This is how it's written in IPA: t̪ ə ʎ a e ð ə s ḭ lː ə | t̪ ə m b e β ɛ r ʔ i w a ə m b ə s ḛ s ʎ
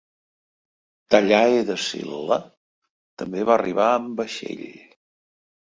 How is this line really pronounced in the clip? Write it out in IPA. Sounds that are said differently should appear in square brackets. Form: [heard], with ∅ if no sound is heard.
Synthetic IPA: t̪ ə ʎ a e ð ə s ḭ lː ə | t̪ ə m b e β [a] r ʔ i [β] a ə m b ə [ʃ] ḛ [∅] ʎ